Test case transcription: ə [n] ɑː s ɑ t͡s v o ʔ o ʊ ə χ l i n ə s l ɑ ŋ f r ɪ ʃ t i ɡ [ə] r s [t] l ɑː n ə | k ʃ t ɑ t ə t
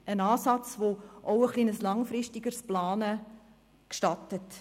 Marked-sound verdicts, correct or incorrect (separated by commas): correct, correct, incorrect